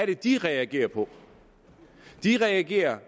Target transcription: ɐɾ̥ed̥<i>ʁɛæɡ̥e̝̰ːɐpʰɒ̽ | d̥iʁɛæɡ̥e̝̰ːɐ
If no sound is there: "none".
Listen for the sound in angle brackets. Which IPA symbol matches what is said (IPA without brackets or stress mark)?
i